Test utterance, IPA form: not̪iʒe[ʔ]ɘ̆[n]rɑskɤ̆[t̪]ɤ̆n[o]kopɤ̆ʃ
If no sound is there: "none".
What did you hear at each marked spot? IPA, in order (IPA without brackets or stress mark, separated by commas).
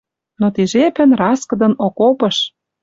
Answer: p, n, d̪, o